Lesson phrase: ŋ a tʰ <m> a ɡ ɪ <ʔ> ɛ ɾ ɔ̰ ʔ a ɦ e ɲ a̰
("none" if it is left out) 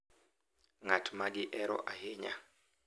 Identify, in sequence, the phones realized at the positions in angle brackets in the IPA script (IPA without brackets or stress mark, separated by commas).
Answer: m, ʔ